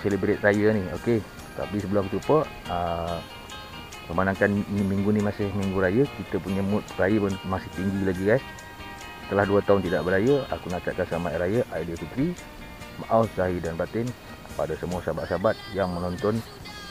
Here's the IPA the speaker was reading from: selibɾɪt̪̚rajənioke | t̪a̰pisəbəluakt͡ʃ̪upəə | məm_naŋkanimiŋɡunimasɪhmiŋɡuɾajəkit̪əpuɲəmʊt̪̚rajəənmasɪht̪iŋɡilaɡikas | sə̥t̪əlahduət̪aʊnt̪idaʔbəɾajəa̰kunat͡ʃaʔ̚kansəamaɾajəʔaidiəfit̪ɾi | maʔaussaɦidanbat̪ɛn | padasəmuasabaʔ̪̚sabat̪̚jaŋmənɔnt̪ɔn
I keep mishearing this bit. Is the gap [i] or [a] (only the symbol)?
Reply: a